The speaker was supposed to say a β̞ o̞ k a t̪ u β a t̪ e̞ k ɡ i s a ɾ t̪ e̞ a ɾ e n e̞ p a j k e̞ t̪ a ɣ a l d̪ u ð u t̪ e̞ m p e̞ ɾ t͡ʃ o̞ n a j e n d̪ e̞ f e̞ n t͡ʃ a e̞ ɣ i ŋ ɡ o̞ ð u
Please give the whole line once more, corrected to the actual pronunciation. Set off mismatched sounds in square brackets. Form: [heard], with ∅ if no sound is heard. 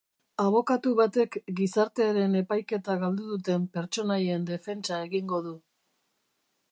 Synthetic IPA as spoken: a β̞ o̞ k a t̪ u β a t̪ e̞ k ɡ i s a ɾ t̪ e̞ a ɾ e n e̞ p a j k e̞ t̪ a ɣ a l d̪ u ð u t̪ e̞ m p e̞ ɾ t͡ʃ o̞ n a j e n d̪ e̞ f e̞ n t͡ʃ a e̞ ɣ i ŋ ɡ o̞ ð u